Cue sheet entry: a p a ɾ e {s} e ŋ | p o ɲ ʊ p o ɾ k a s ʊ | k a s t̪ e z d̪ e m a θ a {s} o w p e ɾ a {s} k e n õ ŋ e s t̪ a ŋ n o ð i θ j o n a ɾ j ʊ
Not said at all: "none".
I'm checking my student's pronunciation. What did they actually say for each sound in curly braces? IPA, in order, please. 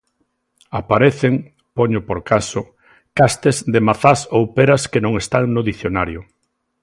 θ, s, s

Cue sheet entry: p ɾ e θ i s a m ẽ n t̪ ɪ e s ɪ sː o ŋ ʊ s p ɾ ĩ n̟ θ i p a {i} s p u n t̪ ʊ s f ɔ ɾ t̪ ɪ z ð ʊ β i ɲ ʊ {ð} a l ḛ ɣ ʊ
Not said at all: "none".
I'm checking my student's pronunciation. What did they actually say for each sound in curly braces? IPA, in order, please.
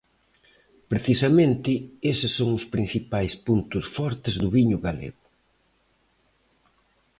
j, ɣ

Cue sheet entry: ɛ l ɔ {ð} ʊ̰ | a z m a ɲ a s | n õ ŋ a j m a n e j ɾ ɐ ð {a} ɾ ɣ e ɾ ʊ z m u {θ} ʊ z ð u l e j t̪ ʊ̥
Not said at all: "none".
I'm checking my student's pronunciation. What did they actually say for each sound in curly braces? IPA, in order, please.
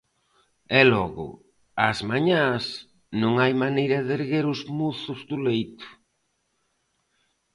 ɣ, e, θ

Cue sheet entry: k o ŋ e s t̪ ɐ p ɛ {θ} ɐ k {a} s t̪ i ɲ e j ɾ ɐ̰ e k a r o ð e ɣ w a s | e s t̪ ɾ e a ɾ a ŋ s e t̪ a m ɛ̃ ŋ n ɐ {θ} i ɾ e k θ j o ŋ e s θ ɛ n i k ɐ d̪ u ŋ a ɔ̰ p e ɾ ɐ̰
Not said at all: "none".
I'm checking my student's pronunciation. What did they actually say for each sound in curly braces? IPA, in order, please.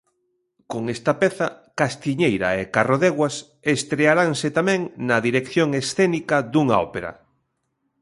θ, a, ð

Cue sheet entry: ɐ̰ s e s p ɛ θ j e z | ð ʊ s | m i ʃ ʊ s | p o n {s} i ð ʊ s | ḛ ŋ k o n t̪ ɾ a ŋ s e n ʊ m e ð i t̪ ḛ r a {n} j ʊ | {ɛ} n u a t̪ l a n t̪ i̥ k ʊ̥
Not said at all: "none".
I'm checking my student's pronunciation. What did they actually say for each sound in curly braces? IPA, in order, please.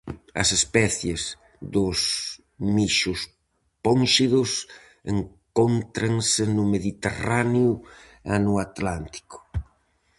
ʃ, n, a

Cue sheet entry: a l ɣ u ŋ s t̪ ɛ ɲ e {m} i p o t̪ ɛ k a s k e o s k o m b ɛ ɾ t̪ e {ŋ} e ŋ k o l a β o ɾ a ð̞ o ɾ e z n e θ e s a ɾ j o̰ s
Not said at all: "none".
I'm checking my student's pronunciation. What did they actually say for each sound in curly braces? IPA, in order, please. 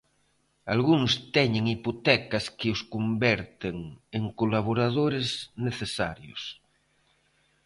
ŋ, ŋ

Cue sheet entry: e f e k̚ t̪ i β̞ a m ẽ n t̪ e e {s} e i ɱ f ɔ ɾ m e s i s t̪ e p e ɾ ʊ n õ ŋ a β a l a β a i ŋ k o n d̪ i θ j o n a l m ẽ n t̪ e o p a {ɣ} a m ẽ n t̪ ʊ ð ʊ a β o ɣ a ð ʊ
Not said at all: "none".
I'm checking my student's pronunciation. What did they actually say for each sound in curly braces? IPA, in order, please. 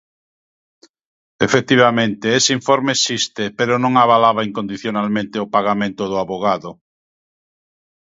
s, ɣ

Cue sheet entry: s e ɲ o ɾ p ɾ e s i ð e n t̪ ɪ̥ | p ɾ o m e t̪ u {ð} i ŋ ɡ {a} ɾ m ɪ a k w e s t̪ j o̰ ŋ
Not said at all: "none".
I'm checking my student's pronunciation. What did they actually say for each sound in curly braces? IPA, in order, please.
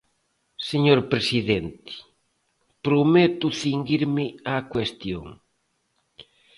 θ, i

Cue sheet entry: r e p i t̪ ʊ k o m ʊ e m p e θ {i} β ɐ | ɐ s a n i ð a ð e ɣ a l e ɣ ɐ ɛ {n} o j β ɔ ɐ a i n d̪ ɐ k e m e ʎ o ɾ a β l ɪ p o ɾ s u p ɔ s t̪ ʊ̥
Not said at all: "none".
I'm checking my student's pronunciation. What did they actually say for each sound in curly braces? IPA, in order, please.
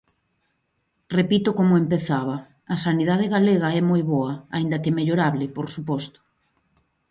a, m

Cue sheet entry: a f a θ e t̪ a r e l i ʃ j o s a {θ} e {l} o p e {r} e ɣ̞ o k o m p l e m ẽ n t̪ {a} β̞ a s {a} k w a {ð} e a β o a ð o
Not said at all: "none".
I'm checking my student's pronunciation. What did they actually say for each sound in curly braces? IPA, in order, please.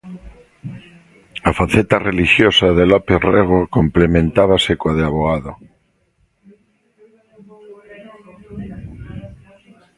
ð, l, r, a, e, ð

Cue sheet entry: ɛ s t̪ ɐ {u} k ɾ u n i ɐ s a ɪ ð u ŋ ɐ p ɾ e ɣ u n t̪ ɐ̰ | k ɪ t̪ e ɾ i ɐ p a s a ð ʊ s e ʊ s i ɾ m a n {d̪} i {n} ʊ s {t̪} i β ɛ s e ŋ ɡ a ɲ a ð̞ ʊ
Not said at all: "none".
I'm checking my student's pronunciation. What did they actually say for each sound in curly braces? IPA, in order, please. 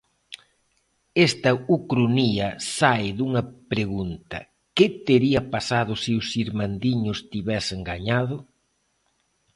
u, d̪, ɲ, t̪

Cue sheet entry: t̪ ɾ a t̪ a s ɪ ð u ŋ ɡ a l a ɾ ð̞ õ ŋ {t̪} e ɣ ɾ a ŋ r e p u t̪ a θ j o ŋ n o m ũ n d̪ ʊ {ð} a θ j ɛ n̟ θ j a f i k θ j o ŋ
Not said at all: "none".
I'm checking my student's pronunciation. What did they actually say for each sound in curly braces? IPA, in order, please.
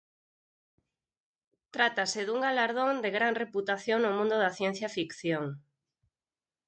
d̪, ð

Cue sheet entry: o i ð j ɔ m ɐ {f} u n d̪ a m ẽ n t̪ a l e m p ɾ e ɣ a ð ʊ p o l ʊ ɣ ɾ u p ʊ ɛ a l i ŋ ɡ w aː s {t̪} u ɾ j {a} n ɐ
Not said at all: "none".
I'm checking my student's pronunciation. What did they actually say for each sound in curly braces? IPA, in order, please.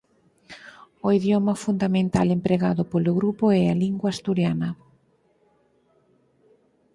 f, t̪, a

